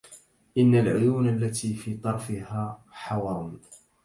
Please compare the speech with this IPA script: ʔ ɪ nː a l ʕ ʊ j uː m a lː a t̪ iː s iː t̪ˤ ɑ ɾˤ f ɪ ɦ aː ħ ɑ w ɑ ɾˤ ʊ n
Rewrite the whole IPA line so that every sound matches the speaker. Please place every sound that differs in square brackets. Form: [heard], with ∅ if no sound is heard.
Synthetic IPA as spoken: ʔ ɪ nː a l ʕ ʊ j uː [n] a lː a t̪ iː [f] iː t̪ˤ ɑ ɾˤ f ɪ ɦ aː ħ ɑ w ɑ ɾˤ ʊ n